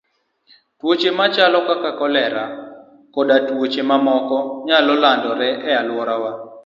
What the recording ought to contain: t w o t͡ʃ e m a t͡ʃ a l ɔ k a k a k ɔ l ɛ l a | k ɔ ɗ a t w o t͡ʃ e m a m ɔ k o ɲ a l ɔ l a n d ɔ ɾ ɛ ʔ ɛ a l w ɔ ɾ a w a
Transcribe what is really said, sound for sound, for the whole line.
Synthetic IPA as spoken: t w o t͡ʃ e m a t͡ʃ a l ɔ k a k a k ɔ l ɛ ɾ a | k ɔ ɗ a t w o t͡ʃ e m a m ɔ k ɔ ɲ a l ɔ l a n d ɔ ɾ ɛ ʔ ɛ a l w ɔ ɾ a w a